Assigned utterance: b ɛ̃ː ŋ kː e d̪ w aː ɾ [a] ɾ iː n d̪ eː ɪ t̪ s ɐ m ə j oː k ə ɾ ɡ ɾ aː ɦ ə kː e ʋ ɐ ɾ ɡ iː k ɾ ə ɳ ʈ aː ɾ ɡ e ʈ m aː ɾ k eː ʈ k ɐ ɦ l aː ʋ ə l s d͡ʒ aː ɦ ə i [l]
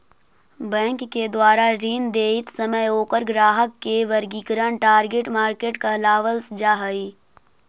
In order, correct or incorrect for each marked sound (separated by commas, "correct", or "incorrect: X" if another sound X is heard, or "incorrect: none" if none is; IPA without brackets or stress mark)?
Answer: correct, incorrect: none